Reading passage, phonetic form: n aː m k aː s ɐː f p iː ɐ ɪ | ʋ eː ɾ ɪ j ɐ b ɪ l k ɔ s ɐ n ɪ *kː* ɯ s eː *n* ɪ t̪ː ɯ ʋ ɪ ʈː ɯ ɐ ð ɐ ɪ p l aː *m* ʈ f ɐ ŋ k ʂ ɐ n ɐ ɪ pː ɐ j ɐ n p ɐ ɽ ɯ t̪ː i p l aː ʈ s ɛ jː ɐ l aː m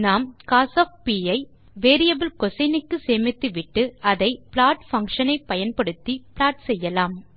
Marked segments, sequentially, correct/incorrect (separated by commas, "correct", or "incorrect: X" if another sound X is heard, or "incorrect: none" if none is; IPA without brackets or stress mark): correct, incorrect: m, incorrect: none